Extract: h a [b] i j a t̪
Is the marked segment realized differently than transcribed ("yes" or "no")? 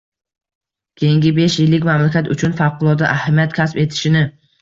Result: yes